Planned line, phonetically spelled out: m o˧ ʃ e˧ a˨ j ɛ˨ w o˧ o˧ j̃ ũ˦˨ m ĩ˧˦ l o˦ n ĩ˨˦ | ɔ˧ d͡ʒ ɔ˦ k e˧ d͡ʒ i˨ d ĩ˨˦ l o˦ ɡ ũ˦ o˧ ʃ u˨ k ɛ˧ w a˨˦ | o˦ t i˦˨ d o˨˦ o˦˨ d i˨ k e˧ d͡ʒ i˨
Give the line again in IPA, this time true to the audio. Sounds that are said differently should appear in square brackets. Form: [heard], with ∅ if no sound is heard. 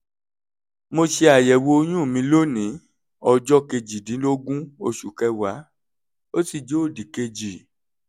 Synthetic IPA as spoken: m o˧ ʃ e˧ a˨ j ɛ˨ w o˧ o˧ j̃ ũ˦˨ m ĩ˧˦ l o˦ n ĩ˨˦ | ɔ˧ d͡ʒ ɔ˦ k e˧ d͡ʒ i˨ d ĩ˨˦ l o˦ ɡ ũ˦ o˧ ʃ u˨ k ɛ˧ w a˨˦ | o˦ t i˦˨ [d͡ʒ] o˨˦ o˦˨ d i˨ k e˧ d͡ʒ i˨